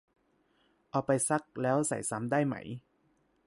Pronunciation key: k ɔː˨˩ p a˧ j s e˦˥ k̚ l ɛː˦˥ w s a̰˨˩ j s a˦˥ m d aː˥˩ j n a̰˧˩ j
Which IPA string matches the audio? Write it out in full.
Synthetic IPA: ʔ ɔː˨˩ p a˧ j s a˦˥ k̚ l ɛː˦˥ w s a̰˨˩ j s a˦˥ m d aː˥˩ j m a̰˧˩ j